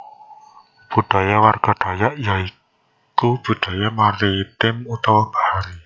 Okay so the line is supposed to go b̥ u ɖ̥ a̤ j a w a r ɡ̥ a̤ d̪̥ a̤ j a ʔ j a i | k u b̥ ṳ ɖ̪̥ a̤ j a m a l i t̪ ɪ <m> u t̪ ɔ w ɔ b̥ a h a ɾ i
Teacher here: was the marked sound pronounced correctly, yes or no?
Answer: yes